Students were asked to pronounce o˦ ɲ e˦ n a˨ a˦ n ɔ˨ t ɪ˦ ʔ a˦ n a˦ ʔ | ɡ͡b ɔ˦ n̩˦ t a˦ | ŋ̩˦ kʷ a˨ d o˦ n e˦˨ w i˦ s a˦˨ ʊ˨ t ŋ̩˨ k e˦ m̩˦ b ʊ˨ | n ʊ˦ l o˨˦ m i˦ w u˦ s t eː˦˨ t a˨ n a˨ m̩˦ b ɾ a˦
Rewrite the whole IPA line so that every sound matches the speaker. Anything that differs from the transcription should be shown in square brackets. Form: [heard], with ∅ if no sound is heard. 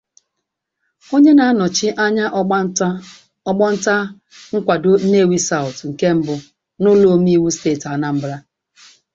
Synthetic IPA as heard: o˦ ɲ e˦ n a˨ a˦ n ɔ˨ [t͡ʃ] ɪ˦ ʔ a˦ [ɲ] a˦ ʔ | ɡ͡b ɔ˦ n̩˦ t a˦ | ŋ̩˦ kʷ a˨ d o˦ n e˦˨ w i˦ s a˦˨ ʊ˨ t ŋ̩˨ k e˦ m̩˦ b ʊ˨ | n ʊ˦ l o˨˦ m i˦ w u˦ s t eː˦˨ t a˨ n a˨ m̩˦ b ɾ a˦